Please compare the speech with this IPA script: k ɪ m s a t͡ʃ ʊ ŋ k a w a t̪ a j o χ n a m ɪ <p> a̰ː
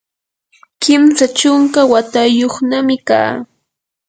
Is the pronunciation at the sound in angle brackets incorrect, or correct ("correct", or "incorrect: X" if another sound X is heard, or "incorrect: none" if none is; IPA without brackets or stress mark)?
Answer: incorrect: k